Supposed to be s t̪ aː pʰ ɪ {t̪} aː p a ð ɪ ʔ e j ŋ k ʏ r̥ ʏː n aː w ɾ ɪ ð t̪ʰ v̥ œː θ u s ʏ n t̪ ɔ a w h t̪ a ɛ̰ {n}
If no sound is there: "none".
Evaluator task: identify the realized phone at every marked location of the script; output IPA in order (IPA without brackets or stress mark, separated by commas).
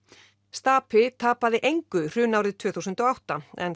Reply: t̪ʰ, n